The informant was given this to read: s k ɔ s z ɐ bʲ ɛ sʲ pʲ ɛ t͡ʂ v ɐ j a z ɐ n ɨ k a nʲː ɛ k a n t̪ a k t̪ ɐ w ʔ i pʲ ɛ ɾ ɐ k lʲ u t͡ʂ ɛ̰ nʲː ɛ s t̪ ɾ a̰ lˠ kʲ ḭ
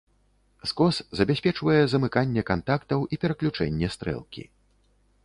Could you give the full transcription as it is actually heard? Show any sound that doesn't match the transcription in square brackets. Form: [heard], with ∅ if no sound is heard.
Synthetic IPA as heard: s k ɔ s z ɐ bʲ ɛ sʲ pʲ ɛ t͡ʂ v ɐ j [ɛ] z ɐ [m] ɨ k a nʲː ɛ k a n t̪ a k t̪ ɐ w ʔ i pʲ ɛ ɾ ɐ k lʲ u t͡ʂ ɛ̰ nʲː ɛ s t̪ ɾ [ɛ̰] lˠ kʲ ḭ